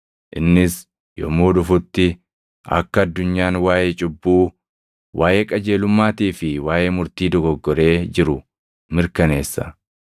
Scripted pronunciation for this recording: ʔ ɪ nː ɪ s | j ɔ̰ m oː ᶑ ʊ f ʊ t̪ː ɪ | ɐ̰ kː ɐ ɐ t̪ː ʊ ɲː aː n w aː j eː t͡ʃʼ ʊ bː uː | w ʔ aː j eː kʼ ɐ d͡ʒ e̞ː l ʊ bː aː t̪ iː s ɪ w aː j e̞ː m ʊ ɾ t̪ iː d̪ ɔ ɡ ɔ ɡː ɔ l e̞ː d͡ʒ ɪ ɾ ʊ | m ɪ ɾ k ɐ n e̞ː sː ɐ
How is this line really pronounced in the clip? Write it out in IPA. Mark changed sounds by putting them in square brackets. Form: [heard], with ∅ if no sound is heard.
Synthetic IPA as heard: ʔ ɪ nː ɪ s | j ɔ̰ m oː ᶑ ʊ f ʊ t̪ː ɪ | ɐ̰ kː ɐ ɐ [d̪ː] ʊ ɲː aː n w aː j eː t͡ʃʼ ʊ bː uː | w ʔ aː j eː kʼ ɐ d͡ʒ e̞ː l ʊ [mː] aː t̪ iː [f] ɪ w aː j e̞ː m ʊ ɾ t̪ iː d̪ ɔ ɡ ɔ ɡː ɔ [ɾ] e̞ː d͡ʒ ɪ ɾ ʊ | m ɪ ɾ k ɐ n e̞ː sː ɐ